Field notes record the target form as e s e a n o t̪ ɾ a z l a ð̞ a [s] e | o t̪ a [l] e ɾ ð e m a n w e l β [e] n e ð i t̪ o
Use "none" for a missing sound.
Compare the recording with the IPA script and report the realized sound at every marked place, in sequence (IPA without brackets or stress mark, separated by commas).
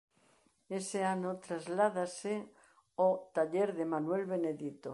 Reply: s, ʎ, e